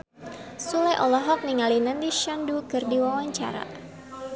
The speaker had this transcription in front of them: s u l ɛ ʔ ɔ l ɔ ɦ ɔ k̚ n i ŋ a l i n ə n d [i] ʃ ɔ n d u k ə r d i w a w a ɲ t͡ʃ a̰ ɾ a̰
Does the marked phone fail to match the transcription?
no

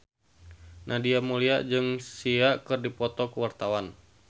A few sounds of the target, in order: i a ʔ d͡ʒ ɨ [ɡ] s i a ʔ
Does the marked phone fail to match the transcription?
yes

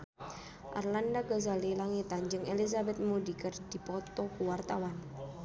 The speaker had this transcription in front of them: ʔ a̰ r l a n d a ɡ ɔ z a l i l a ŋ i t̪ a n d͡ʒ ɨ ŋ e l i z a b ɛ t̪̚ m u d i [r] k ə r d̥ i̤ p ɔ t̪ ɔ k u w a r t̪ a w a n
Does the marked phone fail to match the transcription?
yes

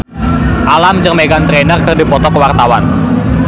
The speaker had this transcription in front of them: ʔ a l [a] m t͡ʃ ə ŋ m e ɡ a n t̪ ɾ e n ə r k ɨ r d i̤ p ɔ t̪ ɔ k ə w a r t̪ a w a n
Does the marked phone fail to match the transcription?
no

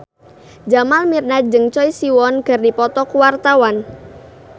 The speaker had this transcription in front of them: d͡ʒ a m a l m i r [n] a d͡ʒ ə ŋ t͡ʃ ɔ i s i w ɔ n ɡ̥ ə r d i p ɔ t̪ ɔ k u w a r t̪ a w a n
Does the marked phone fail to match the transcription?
no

